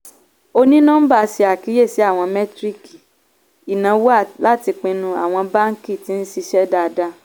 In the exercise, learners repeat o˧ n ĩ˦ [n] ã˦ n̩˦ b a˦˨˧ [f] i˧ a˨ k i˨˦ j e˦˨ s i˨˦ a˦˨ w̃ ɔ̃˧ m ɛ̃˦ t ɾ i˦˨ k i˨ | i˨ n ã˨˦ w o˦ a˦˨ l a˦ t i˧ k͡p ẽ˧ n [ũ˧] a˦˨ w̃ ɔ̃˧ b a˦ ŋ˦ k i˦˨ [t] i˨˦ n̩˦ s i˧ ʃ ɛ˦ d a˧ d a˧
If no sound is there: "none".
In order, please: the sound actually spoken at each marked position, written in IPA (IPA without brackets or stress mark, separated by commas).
n, s, ũ˧, t